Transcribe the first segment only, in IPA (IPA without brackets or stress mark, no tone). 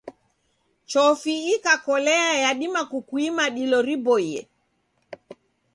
t͡ʃ